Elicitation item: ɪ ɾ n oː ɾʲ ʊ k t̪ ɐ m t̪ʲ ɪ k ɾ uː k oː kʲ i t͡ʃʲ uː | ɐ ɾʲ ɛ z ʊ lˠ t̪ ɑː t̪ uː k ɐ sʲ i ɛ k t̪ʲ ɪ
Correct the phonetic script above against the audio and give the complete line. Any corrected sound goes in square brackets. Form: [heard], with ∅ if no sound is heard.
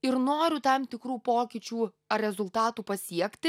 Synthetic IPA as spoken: ɪ ɾ n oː ɾʲ ʊ [∅] t̪ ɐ m t̪ʲ ɪ k ɾ uː [p] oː kʲ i t͡ʃʲ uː | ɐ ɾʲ ɛ z ʊ lˠ t̪ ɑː t̪ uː [p] ɐ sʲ i ɛ k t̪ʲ ɪ